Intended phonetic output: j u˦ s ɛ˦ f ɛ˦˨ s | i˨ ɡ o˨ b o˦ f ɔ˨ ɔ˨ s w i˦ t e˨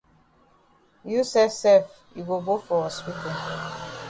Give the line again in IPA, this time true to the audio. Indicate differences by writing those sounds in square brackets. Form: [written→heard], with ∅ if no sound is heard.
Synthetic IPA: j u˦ s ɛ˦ [f→s] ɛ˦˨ [s→f] | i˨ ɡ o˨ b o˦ f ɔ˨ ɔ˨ s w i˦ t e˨